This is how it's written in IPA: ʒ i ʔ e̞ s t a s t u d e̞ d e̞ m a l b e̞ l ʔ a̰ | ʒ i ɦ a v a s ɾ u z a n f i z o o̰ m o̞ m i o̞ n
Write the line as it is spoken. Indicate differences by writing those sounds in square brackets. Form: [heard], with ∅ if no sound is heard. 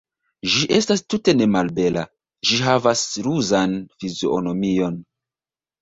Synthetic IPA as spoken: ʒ i ʔ e̞ s t a s t u [t] e̞ [n] e̞ m a l b e̞ l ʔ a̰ | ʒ i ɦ a v a s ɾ u z a n f i z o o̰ [n] o̞ m i o̞ n